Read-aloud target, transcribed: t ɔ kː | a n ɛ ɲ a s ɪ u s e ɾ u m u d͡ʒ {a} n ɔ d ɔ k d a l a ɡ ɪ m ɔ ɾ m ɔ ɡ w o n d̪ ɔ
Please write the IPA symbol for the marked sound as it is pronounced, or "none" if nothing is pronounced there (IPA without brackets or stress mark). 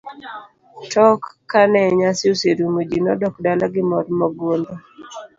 i